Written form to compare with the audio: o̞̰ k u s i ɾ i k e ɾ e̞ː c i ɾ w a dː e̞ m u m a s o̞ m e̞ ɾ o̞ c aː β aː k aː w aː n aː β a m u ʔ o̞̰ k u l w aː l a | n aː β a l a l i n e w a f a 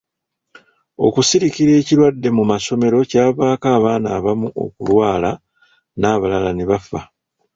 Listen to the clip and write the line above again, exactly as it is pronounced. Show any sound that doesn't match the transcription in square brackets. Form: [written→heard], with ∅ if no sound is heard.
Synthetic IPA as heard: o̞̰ k u s i ɾ i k [e→i] ɾ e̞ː c i ɾ w a dː e̞ m u m a s o̞ m e̞ ɾ o̞ c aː β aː k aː [w→β] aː n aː β a m u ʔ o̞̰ k u l w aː l a | n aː β a l a l [i→a] n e [w→β] a f a